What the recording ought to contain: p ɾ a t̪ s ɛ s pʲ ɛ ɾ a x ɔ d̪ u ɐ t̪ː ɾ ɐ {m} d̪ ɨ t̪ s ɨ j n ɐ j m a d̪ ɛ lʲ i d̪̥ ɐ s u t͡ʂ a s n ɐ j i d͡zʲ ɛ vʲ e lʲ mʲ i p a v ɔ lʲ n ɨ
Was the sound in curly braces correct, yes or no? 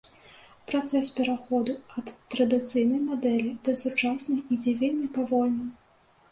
no